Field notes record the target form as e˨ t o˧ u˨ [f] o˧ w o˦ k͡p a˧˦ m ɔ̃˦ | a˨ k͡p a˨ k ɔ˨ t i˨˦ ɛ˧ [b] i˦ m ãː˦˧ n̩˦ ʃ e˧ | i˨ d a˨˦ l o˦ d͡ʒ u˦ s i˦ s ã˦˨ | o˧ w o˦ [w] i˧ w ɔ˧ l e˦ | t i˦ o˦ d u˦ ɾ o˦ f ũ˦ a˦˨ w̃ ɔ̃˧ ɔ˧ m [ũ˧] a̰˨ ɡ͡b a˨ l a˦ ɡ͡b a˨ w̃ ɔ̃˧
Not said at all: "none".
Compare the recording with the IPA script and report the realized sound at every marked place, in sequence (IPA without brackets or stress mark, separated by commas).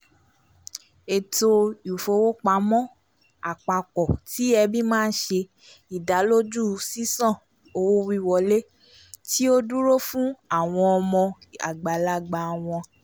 f, b, w, ɔ̃˧